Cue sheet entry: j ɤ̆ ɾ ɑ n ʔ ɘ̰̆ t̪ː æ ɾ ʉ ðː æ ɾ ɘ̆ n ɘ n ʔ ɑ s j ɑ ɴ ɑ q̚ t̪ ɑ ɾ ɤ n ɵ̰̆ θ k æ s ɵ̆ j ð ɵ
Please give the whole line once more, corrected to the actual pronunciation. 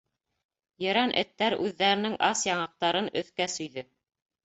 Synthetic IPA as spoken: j ɤ̆ ɾ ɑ n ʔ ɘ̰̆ t̪ː æ ɾ ʉ ðː æ ɾ ɘ̆ n ɘ ŋ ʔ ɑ s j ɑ ɴ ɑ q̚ t̪ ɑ ɾ ɤ n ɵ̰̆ θ k æ s ɵ̆ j ð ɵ